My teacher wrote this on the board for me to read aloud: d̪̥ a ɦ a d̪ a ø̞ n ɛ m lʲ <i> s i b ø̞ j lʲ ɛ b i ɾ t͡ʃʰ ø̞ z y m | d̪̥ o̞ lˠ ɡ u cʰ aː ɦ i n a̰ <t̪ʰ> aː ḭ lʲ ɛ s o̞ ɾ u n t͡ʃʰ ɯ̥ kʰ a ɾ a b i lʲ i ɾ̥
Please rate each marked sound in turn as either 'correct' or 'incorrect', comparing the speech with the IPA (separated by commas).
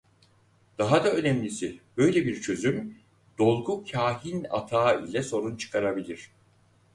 correct, correct